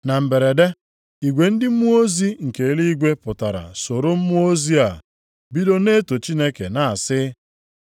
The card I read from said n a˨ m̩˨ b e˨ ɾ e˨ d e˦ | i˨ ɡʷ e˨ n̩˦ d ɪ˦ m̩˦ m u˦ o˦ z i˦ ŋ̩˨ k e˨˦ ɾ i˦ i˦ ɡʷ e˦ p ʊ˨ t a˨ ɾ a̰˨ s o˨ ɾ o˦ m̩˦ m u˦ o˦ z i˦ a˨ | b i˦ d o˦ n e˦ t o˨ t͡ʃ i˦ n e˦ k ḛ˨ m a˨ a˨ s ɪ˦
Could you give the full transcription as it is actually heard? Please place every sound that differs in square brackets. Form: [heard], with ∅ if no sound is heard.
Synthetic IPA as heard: n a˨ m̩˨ b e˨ ɾ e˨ d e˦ | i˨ ɡʷ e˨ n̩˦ d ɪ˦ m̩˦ m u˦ o˦ z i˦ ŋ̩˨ k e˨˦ [l] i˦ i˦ ɡʷ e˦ p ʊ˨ t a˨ ɾ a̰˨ s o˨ ɾ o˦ m̩˦ m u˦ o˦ z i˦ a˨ | b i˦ d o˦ n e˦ t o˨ t͡ʃ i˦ n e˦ k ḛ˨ [n] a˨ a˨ s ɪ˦